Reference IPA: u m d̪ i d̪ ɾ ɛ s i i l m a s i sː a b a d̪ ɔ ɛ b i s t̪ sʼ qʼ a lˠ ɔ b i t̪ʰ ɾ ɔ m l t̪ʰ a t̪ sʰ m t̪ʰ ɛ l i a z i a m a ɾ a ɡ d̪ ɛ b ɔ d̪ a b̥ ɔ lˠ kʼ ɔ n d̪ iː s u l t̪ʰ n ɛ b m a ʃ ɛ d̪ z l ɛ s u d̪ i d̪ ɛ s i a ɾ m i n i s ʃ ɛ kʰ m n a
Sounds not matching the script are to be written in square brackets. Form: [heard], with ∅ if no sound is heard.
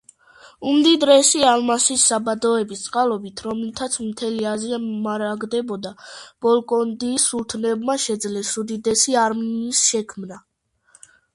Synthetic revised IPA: u m d̪ i d̪ ɾ ɛ s i [a] l m a s i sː a b a d̪ ɔ ɛ b i s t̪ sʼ qʼ a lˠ ɔ b i t̪ʰ ɾ ɔ m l t̪ʰ a t̪ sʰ m t̪ʰ ɛ l i a z i a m a ɾ a ɡ d̪ ɛ b ɔ d̪ a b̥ ɔ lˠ kʼ ɔ n d̪ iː s u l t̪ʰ n ɛ b m a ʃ ɛ d̪ z l ɛ s u d̪ i d̪ ɛ s i a ɾ m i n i s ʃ ɛ kʰ m n a